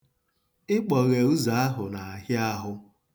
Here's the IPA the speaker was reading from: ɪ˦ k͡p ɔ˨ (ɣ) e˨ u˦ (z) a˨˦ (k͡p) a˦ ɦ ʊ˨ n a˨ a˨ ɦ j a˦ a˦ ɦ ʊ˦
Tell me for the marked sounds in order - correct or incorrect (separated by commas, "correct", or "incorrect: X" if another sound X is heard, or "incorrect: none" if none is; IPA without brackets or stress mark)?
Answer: correct, correct, incorrect: none